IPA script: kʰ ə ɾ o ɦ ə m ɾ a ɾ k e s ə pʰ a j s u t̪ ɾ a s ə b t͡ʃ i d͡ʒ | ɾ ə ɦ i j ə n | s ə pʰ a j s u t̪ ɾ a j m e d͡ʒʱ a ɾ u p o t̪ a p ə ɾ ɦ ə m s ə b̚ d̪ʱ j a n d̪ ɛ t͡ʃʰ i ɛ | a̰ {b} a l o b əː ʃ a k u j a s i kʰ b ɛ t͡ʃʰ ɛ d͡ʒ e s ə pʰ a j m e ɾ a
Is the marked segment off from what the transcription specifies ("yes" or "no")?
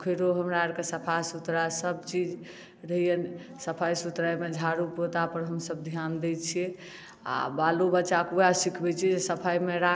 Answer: no